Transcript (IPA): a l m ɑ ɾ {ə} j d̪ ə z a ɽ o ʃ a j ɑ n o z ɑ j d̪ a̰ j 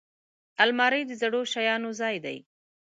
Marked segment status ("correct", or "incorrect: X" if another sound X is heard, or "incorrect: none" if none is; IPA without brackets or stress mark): correct